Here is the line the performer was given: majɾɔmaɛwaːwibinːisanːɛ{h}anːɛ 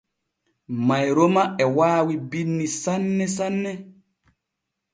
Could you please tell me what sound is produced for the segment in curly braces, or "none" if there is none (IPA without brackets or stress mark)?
s